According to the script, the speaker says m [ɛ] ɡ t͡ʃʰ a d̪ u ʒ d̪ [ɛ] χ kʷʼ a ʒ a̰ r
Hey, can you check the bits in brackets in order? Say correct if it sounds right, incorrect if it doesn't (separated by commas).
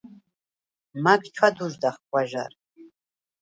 incorrect, incorrect